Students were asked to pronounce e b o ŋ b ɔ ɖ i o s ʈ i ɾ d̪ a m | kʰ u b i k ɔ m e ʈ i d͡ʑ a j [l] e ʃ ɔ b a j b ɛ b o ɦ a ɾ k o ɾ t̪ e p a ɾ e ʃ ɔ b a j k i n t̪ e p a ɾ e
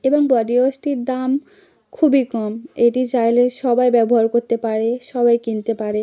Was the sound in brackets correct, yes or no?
yes